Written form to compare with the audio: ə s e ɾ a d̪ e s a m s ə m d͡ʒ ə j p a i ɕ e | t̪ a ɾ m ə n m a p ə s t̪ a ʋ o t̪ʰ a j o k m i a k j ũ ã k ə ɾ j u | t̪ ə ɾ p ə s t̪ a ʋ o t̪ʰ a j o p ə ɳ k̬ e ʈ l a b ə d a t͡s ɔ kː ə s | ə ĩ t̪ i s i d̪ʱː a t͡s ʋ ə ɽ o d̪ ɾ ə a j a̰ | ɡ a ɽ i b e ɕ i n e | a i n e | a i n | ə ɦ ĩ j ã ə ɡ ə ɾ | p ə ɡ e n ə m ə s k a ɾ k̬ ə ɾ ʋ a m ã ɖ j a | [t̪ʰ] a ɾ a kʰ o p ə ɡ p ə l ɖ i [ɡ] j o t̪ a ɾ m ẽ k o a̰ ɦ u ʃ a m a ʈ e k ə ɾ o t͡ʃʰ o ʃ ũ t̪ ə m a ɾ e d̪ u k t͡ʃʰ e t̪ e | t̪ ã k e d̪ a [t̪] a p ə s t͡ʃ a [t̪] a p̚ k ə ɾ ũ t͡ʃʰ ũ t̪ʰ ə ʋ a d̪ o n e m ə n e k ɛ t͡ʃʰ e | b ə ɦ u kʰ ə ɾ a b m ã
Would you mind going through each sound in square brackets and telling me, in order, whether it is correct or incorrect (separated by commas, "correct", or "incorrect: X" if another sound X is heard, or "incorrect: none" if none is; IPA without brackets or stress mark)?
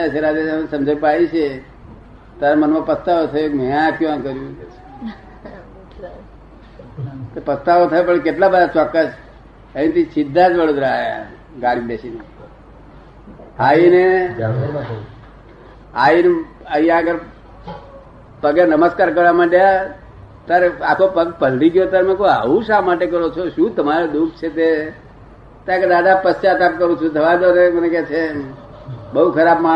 incorrect: t̪, correct, incorrect: d̪, correct